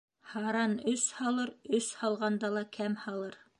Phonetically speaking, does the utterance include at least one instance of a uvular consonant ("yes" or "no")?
yes